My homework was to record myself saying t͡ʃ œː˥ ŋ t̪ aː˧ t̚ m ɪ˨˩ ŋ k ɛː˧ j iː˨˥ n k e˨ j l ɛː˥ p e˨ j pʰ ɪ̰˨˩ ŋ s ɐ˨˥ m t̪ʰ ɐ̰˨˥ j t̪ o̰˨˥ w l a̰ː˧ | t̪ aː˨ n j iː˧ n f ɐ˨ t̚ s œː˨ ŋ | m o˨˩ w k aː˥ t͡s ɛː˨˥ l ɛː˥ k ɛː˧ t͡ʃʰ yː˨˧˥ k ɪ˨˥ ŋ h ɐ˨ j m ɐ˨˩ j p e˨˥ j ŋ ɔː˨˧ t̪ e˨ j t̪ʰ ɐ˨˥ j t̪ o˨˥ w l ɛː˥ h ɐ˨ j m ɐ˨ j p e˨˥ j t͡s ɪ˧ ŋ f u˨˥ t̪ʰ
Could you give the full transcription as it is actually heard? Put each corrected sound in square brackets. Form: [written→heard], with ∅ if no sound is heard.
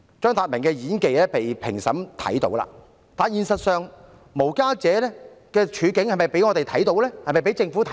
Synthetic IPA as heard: t͡ʃ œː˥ ŋ t̪ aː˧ t̚ m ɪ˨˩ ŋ k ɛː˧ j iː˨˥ n k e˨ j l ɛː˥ p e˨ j pʰ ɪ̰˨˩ ŋ s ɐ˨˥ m t̪ʰ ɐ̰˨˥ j t̪ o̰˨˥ w l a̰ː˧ | t̪ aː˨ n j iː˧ n [f→s] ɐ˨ t̚ s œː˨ ŋ | m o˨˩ w k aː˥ t͡s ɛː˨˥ l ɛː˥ k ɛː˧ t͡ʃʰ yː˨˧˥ k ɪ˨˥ ŋ h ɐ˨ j m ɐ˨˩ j p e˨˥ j ŋ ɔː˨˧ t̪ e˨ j t̪ʰ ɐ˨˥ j t̪ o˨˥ w l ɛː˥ h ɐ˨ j m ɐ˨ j p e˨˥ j t͡s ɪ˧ ŋ f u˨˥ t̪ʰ